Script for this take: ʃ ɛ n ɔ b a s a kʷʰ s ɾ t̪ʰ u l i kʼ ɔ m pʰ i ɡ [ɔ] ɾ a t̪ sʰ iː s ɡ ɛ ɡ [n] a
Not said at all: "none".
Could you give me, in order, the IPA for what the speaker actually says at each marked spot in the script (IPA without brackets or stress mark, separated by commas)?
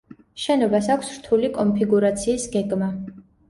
u, m